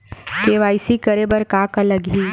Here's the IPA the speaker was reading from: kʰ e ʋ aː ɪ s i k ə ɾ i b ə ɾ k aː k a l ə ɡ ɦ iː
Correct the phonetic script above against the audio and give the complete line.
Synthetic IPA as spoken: k e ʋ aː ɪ s i k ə ɾ e b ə ɾ k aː k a l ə ɡ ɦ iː